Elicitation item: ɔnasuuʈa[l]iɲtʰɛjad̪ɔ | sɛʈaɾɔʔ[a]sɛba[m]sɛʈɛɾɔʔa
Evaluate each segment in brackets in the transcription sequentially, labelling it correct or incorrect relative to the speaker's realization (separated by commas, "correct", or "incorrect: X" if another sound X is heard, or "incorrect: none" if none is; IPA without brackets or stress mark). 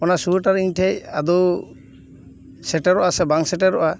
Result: incorrect: ɾ, correct, incorrect: ŋ